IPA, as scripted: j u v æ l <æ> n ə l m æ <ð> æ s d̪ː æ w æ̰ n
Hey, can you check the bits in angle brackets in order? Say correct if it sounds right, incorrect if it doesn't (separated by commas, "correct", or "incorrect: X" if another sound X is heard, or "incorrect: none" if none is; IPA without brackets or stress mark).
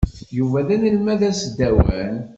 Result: correct, correct